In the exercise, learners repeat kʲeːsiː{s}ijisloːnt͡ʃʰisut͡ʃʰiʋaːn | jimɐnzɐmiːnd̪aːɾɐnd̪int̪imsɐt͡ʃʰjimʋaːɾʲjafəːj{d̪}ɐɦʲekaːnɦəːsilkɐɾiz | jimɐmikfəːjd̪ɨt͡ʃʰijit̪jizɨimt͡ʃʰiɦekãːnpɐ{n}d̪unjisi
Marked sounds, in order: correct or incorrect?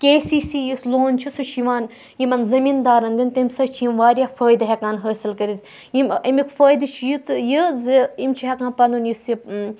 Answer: correct, correct, correct

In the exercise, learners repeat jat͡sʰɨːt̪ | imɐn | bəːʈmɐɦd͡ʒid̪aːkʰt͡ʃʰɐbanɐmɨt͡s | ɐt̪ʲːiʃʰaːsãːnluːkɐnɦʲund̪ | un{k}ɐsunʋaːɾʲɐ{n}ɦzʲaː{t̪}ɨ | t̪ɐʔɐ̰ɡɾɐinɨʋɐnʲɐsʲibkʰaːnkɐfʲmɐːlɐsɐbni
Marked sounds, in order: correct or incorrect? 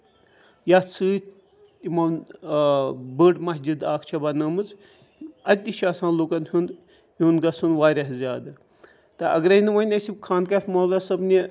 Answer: incorrect: ɡ, incorrect: none, incorrect: d̪

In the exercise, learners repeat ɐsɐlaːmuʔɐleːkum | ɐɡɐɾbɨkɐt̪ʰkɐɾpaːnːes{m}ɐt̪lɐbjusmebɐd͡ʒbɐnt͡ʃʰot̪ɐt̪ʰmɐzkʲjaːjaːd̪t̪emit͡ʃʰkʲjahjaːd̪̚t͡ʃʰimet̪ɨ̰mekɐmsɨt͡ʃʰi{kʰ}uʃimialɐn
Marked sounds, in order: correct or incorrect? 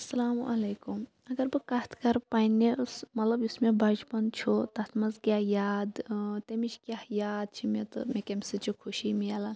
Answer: correct, correct

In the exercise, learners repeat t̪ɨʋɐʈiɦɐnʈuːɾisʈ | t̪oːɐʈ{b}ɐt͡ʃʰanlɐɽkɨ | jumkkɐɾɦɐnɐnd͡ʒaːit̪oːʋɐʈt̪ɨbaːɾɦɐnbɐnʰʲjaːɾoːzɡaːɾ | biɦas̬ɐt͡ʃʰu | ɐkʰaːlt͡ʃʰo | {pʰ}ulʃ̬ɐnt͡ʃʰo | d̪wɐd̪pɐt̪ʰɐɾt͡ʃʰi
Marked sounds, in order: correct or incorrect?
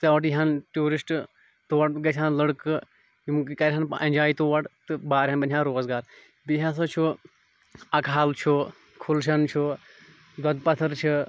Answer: incorrect: ɡ, incorrect: kʰ

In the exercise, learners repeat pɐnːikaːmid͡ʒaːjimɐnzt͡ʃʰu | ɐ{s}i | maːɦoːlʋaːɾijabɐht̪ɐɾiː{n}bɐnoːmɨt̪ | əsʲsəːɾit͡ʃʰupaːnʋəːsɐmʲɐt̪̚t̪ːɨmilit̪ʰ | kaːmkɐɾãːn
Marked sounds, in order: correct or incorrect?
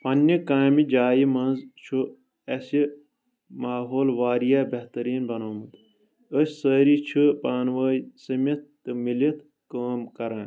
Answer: correct, correct

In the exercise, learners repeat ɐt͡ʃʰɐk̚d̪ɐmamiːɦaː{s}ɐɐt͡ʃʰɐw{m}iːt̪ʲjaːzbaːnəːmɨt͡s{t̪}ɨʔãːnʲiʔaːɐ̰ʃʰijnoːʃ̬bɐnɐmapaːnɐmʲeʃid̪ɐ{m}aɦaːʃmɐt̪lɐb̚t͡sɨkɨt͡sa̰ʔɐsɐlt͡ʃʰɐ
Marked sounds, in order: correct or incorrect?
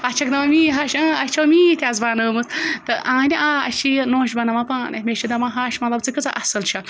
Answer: incorrect: ʃ, correct, correct, correct

